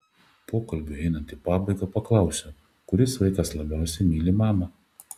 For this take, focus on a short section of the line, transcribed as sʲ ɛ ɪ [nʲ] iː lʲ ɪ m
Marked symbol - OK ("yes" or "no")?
no